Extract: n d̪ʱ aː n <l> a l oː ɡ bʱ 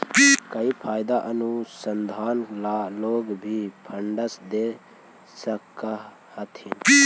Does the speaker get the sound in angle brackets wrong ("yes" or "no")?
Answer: no